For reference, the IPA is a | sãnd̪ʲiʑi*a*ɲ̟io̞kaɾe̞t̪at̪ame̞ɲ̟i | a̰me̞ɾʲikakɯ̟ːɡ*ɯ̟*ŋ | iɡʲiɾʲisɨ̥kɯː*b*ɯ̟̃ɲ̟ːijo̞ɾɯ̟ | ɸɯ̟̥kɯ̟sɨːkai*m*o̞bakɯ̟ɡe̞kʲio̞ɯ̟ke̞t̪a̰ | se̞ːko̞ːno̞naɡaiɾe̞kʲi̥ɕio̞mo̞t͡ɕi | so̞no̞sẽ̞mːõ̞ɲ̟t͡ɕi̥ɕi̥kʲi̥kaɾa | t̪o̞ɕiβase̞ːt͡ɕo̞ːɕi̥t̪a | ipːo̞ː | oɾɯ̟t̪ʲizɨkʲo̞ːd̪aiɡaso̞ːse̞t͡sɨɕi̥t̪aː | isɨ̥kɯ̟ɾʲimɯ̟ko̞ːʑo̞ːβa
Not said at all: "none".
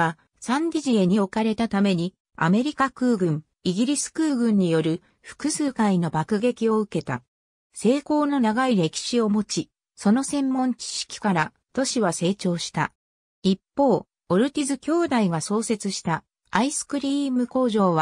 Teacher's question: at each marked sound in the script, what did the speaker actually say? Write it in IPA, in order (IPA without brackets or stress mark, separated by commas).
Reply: e, ɯ̟̃, ɡ, n